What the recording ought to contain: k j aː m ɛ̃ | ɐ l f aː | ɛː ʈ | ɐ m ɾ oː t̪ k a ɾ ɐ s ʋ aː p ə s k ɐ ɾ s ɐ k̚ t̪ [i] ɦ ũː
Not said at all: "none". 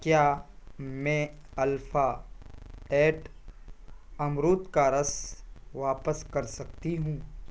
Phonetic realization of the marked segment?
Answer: i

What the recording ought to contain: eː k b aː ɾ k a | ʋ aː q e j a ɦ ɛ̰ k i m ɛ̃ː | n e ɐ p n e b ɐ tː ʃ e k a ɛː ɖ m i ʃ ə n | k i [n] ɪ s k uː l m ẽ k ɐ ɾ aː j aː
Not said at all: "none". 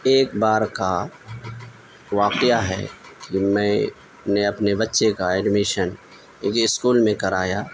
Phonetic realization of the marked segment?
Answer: none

